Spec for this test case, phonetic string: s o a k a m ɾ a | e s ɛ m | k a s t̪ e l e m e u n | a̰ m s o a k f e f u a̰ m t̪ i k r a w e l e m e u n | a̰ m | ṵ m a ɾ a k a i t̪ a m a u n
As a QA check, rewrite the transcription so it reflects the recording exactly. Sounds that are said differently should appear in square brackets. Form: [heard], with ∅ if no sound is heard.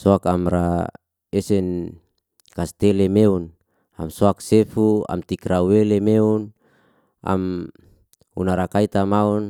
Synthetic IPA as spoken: s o a k a m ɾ a | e s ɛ [n] | k a s t̪ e l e m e u n | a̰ m s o a k [s] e f u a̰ m t̪ i k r a w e l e m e u n | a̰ m | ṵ [n] a ɾ a k a i t̪ a m a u n

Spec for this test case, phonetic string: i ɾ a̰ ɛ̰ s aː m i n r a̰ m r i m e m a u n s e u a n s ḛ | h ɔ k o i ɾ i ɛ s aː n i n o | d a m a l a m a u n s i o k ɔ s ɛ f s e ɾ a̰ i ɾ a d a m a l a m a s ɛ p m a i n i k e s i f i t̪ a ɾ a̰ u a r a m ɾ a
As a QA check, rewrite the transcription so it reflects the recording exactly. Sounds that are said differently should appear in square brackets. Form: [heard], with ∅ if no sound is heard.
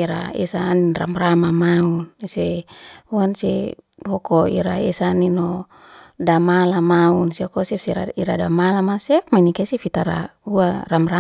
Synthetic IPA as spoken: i ɾ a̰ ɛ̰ s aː [n] i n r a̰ m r [a] m [a] m a u n s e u a n s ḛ | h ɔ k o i ɾ [a] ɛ s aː n i n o | d a m a l a m a u n s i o k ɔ s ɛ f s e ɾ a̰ i ɾ a d a m a l a m a s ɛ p m a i n i k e s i f i t̪ a ɾ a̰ u a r a m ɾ a

